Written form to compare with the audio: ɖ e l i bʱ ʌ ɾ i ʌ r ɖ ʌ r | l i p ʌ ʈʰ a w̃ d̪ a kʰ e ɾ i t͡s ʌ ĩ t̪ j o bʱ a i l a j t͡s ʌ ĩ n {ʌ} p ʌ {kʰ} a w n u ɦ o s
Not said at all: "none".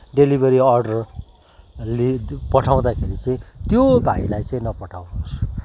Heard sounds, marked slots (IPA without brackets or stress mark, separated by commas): ʌ, ʈʰ